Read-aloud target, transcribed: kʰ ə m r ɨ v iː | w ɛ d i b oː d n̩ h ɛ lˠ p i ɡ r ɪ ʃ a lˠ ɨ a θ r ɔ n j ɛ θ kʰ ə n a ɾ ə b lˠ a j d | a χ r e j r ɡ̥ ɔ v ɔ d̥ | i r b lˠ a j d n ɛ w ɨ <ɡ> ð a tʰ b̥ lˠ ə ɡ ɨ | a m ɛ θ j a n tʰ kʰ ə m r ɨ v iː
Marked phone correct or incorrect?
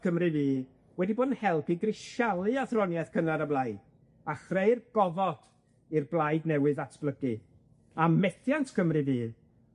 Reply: incorrect: none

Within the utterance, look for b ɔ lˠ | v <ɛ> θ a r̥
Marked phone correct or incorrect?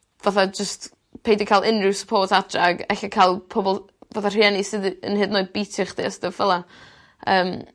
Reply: incorrect: a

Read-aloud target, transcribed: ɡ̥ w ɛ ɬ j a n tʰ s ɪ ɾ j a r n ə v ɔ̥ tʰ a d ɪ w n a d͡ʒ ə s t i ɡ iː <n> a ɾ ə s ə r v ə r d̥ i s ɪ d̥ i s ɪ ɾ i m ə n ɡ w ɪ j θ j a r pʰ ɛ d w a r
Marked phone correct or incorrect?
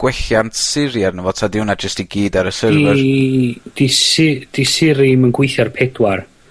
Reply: incorrect: d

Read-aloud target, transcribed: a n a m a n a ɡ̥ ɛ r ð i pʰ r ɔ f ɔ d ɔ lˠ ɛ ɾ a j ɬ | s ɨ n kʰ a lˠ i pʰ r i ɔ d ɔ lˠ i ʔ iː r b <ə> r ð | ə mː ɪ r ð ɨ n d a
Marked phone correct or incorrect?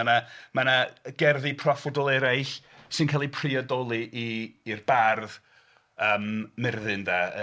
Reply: incorrect: a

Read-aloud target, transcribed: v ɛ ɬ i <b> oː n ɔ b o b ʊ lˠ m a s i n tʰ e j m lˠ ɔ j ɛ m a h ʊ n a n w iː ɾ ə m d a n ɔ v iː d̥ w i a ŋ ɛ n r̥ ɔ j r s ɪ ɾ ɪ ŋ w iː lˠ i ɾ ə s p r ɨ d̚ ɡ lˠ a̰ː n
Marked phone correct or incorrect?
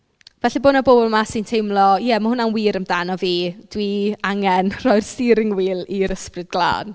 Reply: correct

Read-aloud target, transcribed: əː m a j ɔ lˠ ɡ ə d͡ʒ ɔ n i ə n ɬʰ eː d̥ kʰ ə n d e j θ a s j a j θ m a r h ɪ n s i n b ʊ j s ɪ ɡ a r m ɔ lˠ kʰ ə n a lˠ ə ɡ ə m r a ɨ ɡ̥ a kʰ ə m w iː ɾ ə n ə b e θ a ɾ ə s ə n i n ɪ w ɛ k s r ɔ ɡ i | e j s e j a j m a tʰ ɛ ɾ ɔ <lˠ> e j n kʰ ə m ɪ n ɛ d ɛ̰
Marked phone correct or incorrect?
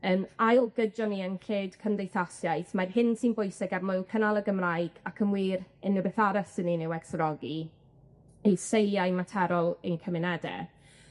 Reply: correct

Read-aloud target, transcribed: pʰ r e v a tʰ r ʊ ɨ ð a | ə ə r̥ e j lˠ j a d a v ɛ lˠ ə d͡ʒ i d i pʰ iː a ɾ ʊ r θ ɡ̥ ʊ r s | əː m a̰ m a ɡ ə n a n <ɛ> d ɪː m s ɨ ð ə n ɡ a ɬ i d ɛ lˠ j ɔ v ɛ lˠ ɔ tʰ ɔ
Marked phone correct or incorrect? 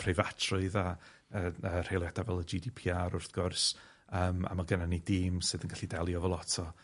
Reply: incorrect: i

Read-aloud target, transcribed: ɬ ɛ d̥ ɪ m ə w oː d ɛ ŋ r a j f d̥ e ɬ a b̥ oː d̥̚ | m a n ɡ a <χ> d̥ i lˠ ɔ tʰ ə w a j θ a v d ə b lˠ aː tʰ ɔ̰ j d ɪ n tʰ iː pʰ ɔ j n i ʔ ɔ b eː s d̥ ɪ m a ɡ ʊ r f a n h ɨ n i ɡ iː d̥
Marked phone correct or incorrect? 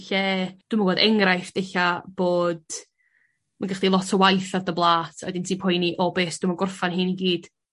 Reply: correct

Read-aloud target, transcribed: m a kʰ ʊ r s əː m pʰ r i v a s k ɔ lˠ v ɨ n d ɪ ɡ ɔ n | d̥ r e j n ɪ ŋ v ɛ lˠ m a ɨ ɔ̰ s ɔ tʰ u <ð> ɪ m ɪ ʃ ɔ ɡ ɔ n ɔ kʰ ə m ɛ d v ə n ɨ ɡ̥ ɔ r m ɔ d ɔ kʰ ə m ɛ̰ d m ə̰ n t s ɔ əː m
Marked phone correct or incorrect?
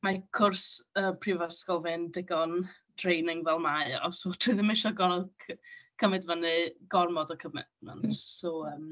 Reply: correct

